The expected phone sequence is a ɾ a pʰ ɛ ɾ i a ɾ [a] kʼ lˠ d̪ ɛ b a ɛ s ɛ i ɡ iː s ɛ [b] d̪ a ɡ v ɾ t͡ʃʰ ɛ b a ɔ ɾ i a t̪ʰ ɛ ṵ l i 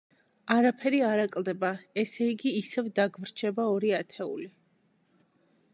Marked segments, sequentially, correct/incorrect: correct, incorrect

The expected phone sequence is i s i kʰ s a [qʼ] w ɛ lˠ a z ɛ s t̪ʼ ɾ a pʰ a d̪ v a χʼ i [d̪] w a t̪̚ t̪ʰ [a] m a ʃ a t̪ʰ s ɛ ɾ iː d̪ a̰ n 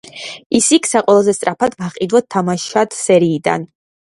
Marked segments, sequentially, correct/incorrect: correct, correct, correct

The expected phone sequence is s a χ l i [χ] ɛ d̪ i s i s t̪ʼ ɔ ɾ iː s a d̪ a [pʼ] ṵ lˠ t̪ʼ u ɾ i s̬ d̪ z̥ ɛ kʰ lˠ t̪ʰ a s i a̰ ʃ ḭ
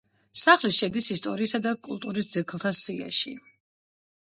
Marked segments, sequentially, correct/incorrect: incorrect, incorrect

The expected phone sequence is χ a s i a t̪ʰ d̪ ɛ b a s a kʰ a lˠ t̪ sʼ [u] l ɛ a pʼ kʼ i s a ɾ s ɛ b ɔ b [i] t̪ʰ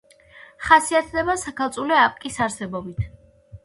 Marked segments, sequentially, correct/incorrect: correct, correct

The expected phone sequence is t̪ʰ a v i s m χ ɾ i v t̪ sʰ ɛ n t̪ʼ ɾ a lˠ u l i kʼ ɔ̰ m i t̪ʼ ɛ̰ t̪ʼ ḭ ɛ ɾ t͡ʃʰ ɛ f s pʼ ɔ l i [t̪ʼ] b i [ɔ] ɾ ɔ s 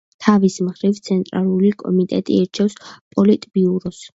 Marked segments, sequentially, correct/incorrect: correct, incorrect

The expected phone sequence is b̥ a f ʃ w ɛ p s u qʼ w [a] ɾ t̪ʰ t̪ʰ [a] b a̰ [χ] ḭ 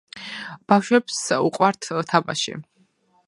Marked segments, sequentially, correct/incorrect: correct, correct, incorrect

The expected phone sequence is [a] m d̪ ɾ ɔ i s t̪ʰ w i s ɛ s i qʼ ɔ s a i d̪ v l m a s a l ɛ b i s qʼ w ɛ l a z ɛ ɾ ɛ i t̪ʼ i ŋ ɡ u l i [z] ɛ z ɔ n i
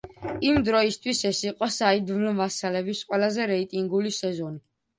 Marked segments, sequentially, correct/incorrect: incorrect, incorrect

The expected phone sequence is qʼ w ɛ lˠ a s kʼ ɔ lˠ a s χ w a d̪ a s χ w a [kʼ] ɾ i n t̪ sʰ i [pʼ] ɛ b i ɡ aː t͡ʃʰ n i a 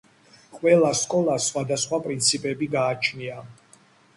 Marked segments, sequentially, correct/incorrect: incorrect, correct

